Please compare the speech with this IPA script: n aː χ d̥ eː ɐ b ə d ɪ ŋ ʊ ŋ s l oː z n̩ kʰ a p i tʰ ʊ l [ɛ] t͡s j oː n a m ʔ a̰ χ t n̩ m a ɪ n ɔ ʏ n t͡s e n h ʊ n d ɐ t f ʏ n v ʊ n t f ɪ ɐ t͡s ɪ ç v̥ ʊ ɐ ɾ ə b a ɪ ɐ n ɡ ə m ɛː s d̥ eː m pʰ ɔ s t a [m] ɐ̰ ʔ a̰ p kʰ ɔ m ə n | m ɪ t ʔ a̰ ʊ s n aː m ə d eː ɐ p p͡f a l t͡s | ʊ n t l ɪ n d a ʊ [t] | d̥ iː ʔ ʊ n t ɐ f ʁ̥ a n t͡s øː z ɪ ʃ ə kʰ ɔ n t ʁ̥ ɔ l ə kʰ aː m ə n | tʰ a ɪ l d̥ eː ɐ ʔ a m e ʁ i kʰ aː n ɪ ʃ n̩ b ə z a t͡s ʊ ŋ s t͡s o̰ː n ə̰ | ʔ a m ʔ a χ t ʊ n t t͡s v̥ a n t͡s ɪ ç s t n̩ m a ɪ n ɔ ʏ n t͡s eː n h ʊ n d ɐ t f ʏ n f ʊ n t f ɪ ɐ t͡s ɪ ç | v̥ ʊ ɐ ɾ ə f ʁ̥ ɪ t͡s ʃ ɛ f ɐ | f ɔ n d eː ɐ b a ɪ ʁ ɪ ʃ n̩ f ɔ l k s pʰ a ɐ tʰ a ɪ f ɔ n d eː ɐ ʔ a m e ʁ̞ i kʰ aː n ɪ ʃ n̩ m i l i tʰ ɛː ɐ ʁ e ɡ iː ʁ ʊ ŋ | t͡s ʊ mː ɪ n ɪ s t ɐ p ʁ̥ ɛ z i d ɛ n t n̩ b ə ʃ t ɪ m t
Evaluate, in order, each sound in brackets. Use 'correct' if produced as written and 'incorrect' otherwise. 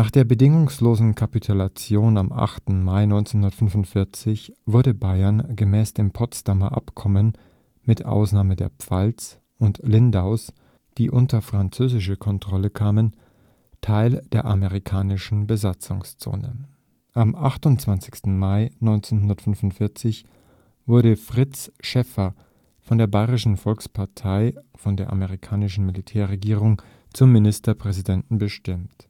incorrect: a, correct, incorrect: s

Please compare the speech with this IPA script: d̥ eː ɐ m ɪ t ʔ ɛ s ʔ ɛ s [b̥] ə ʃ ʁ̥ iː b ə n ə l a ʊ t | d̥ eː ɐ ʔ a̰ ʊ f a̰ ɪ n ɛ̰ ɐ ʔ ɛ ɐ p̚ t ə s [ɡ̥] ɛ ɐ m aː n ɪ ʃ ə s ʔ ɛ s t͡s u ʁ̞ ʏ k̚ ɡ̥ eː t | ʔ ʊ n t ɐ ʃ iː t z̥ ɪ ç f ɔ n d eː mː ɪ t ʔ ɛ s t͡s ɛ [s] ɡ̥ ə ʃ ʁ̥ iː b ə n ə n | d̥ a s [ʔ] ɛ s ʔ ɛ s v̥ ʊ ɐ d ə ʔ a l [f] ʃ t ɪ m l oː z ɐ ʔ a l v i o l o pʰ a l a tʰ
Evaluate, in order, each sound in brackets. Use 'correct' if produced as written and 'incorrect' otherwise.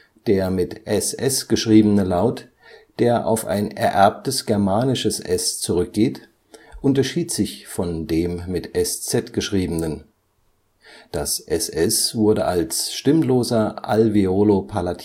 incorrect: ɡ̥, correct, incorrect: t, correct, incorrect: s

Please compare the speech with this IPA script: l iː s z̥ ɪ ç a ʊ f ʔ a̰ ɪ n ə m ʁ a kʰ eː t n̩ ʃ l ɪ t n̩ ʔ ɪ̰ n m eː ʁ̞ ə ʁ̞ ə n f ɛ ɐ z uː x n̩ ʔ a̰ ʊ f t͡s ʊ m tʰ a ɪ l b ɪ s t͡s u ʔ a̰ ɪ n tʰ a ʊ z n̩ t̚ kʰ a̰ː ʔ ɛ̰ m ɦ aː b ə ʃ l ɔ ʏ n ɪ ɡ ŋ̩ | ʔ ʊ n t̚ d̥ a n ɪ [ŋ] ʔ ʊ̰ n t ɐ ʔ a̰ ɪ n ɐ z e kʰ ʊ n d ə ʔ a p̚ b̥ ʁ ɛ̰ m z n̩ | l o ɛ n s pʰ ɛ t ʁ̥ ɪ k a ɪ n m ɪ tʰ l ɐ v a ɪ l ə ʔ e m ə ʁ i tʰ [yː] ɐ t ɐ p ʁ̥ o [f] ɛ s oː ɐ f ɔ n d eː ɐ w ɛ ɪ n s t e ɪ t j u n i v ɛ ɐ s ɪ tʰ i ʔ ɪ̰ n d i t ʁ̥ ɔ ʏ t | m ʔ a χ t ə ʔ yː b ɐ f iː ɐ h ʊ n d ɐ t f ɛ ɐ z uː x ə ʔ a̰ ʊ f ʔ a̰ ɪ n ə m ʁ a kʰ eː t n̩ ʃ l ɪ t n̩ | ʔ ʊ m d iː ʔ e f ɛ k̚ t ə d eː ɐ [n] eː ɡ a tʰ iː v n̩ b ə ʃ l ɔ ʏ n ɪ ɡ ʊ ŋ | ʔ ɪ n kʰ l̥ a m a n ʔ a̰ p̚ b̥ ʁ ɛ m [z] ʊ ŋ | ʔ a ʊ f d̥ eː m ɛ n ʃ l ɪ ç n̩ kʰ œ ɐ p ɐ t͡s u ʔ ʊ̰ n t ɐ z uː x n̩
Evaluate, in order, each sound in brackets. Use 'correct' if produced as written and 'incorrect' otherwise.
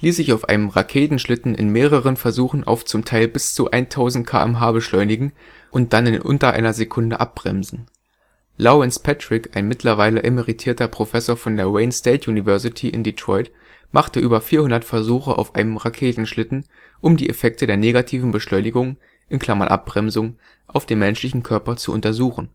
incorrect: n, incorrect: iː, correct, correct, correct

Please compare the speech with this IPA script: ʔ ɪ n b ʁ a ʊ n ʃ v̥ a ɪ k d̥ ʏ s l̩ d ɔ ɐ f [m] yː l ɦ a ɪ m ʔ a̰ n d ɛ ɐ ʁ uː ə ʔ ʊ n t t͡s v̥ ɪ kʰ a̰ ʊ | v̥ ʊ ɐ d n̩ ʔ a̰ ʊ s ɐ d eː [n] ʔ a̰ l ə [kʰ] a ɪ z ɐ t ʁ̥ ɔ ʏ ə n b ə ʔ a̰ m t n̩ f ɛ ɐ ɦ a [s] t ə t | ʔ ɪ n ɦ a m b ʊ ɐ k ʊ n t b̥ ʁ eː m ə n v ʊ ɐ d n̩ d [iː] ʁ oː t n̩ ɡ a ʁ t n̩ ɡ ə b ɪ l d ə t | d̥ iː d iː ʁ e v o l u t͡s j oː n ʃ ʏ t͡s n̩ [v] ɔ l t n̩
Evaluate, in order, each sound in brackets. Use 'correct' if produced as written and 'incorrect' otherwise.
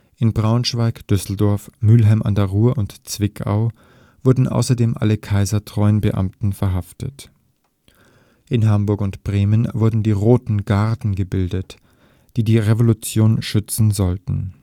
correct, incorrect: m, correct, incorrect: f, correct, incorrect: z

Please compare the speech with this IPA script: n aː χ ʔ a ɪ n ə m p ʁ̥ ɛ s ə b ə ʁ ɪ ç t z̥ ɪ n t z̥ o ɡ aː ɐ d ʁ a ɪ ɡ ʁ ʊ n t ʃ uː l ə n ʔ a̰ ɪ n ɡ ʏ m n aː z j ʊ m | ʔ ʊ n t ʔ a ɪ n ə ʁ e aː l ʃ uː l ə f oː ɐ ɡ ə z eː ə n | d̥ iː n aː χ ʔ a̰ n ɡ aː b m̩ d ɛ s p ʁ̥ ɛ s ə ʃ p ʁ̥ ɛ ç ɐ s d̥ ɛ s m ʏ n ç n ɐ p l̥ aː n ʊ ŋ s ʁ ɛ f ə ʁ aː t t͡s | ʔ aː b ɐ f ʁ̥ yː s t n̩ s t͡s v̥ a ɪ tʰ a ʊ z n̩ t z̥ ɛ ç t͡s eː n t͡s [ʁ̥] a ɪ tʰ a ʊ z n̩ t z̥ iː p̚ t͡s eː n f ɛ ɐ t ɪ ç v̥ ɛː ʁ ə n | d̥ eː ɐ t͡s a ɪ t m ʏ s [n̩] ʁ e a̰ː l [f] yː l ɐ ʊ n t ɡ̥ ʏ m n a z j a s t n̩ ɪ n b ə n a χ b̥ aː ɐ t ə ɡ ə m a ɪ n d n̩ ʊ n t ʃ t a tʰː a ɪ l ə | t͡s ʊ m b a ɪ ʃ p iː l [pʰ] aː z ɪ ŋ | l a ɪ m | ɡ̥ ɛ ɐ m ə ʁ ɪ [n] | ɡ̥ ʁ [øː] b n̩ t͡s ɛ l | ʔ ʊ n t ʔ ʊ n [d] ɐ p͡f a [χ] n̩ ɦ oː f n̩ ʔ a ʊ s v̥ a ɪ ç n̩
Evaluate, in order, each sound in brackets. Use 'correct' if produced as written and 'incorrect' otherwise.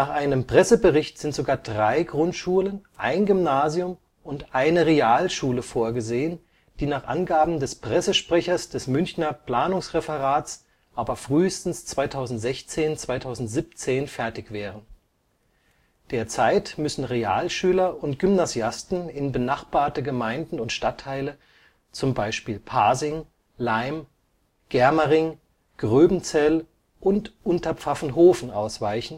incorrect: v̥, correct, incorrect: ʃ, correct, incorrect: ŋ, correct, incorrect: t, incorrect: f

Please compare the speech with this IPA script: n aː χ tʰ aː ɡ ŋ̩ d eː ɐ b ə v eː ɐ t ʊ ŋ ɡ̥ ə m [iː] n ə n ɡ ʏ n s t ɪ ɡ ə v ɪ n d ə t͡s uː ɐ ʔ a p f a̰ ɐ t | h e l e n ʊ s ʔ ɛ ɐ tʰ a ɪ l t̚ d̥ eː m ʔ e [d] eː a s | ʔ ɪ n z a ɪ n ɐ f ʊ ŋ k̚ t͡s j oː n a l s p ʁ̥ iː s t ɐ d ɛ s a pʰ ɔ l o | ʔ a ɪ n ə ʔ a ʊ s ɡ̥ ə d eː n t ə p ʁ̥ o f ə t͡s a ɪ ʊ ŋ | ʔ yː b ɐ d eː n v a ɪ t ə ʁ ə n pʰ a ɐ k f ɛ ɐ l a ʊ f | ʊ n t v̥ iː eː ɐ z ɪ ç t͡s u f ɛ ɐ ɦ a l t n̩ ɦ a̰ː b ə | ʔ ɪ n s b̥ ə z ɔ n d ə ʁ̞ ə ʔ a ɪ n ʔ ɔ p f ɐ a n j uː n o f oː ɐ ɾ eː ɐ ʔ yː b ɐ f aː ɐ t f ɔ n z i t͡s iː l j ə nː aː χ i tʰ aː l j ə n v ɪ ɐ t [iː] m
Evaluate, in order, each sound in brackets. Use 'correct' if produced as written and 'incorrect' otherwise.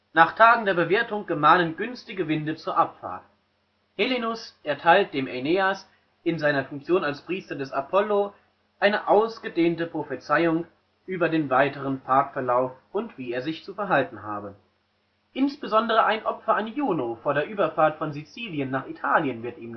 incorrect: aː, incorrect: n, correct

